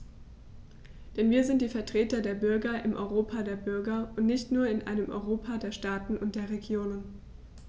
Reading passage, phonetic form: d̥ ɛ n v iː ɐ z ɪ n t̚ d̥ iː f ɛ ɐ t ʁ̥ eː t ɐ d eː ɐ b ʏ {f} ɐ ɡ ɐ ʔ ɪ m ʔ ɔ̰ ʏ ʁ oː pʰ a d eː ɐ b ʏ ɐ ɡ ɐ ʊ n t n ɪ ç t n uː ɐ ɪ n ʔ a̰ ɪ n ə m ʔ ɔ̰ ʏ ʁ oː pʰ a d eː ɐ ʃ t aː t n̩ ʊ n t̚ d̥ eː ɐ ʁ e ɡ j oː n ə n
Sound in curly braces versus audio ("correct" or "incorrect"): incorrect